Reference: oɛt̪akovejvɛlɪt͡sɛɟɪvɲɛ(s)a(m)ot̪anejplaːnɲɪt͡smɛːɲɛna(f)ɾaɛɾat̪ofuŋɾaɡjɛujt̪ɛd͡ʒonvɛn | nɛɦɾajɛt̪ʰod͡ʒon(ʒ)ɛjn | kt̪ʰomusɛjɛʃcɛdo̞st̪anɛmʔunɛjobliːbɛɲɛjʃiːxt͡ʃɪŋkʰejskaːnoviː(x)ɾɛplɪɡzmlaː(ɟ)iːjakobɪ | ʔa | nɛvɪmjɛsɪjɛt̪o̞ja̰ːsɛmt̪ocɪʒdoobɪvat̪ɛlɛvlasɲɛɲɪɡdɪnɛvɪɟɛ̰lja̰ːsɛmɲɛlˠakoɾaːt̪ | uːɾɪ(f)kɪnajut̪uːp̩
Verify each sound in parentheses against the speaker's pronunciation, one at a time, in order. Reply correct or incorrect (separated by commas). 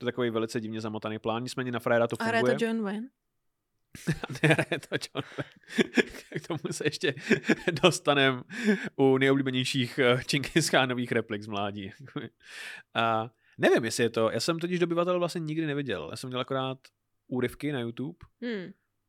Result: incorrect, correct, correct, incorrect, correct, correct, correct